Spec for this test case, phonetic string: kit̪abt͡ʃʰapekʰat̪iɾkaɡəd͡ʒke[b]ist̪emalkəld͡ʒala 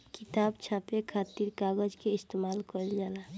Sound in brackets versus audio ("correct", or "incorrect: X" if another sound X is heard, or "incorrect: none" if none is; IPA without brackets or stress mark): incorrect: none